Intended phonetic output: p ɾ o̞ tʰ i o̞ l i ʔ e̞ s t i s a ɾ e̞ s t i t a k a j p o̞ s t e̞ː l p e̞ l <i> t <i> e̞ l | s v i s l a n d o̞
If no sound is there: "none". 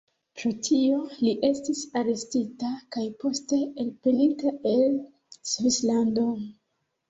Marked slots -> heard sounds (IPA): i, a

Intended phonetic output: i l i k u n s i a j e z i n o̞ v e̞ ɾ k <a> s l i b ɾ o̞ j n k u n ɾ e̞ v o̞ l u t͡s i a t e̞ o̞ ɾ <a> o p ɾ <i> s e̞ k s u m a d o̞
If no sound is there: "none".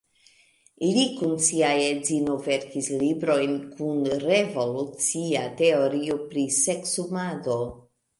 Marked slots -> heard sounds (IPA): i, i, i

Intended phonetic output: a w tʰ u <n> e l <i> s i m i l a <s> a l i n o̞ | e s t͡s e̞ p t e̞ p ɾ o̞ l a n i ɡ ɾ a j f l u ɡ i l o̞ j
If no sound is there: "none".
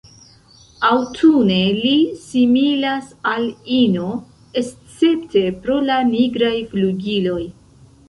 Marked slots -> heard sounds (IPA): n, i, s

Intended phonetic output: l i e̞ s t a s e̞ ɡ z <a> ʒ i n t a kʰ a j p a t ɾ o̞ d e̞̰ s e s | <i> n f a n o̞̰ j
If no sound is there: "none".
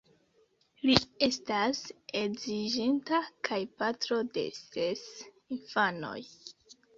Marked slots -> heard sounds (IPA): i, i

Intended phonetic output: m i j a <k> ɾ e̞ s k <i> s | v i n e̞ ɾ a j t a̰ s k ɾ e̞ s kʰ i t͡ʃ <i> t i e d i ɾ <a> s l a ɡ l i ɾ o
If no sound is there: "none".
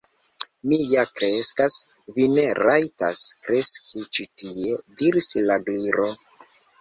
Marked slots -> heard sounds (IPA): k, a, i, i

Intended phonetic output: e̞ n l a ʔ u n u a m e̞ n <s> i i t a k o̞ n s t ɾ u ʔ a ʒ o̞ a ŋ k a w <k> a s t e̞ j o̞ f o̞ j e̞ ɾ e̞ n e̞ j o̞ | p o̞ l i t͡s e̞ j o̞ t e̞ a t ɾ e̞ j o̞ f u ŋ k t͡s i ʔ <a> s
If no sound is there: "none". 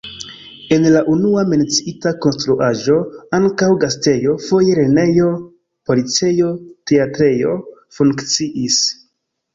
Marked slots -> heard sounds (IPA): t͡s, ɡ, i

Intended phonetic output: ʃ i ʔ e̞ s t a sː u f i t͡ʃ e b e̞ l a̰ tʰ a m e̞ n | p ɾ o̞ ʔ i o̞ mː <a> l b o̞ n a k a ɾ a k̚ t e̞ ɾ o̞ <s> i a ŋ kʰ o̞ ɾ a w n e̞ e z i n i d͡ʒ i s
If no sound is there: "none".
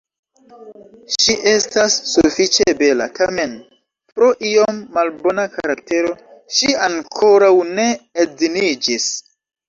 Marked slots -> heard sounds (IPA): a, ʃ

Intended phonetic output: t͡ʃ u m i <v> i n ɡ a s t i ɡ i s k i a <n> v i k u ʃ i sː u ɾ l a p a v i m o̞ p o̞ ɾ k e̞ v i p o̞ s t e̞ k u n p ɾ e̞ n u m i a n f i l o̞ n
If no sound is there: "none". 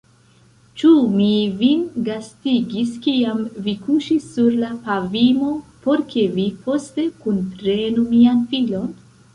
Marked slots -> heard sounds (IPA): v, m

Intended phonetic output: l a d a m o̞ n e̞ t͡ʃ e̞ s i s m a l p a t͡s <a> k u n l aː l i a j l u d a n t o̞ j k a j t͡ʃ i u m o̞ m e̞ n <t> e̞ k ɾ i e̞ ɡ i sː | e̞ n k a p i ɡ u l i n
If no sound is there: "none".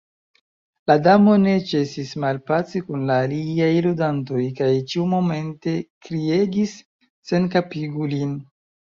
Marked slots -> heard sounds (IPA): i, t

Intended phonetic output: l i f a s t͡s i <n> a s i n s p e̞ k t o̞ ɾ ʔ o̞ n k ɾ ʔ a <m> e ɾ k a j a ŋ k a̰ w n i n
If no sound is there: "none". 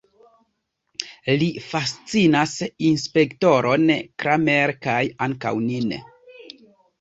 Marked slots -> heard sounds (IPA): n, m

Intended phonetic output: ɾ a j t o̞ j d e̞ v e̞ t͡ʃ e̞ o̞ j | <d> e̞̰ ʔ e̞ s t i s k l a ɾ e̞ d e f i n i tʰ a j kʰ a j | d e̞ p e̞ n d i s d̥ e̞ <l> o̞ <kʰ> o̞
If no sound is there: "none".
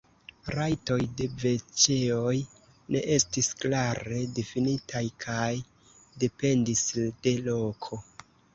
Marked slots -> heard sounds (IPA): n, l, kʰ

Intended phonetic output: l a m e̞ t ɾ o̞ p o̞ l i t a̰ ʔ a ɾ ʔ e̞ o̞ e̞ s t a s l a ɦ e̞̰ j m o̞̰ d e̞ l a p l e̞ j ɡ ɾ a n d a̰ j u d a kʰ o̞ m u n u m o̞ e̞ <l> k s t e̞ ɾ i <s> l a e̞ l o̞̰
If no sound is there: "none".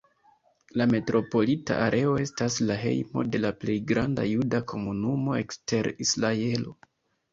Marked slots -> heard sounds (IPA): none, s

